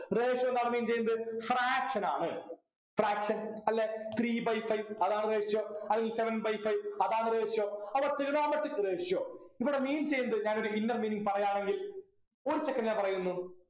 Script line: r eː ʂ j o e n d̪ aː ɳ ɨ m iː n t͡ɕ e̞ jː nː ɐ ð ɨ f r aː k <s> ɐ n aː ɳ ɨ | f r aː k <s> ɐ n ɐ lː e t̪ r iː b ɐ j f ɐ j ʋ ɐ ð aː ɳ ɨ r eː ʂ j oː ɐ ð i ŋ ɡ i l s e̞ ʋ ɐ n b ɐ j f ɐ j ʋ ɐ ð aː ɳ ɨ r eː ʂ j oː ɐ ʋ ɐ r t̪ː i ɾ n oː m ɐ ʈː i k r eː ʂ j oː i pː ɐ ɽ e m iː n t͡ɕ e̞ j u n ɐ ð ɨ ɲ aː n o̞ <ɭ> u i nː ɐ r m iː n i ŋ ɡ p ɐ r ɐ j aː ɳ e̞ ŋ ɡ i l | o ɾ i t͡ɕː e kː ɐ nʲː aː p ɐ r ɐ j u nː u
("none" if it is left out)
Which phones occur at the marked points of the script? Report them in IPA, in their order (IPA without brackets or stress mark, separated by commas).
ʂ, ʂ, ɾ